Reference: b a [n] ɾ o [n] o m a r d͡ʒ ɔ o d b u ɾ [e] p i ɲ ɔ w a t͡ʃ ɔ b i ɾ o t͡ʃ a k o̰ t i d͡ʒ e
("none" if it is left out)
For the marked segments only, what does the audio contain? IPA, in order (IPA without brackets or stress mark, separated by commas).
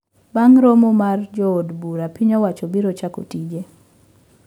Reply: ŋ, m, a